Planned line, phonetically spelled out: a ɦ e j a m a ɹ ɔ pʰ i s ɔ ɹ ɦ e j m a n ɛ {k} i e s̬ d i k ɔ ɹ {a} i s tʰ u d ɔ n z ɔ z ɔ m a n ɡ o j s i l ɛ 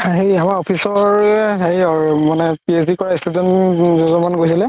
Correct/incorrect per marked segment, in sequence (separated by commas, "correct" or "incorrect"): incorrect, correct